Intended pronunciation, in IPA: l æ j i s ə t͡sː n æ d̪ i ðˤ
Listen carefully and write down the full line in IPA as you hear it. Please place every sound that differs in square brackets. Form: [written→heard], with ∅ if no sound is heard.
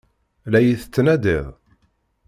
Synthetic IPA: l æ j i [s→θ] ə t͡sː n æ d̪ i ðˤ